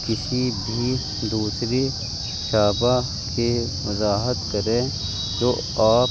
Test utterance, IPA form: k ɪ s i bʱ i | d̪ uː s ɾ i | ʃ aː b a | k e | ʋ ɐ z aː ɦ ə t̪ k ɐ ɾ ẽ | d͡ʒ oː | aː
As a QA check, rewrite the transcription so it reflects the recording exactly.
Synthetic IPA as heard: k ɪ s i bʱ i | d̪ uː s ɾ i | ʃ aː b a | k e | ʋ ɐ z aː ɦ ə t̪ k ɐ ɾ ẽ | d͡ʒ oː | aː